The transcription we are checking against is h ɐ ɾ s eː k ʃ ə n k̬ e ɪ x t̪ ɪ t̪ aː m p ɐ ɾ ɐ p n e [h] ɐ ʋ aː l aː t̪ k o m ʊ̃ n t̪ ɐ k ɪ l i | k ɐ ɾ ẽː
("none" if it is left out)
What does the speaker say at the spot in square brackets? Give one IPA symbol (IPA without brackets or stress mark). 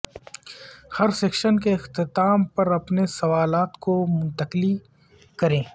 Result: s